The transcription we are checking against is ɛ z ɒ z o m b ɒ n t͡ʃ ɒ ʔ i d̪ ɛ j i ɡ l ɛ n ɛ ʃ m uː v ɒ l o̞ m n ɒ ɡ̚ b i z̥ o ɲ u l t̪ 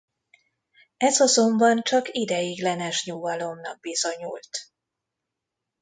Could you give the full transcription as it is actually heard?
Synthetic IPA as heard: ɛ z ɒ z o m b ɒ n t͡ʃ ɒ k i d̪ ɛ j i ɡ l ɛ n ɛ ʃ ɲ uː v ɒ l o̞ m n ɒ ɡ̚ b i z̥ o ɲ u l t̪

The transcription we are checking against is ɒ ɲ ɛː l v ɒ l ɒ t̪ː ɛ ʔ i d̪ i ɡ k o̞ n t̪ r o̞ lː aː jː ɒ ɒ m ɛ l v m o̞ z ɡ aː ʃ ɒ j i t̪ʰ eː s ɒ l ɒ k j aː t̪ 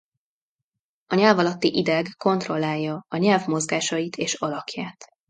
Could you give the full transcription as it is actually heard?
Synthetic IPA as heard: ɒ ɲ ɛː l v ɒ l ɒ t̪ː i ʔ i d̪ ɛ ɡ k o̞ n t̪ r o̞ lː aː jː ɒ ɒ ɲ ɛ l v m o̞ z ɡ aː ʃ ɒ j i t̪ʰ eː ʃ ɒ l ɒ k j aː t̪

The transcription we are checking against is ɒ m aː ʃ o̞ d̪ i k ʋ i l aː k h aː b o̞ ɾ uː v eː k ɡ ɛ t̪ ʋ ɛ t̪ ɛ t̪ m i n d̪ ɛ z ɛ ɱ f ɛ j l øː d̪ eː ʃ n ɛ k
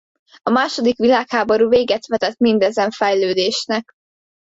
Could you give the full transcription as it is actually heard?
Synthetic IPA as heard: ɒ m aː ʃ o̞ d̪ i k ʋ i l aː k h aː b o̞ ɾ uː v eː ɡ ɛ t̪ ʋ ɛ t̪ ɛ t̪ m i n d̪ ɛ z ɛ ɱ f ɛ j l øː d̪ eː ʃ n ɛ k

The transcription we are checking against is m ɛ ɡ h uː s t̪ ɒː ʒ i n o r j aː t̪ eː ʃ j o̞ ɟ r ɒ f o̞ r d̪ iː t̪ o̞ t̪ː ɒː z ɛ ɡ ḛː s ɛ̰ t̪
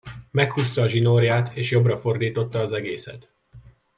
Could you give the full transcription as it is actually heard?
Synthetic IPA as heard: m ɛ k h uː s t̪ ɒː ʒ i n o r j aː t̪ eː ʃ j o̞ b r ɒ f o̞ r d̪ iː t̪ o̞ t̪ː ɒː z ɛ ɡ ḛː s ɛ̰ t̪

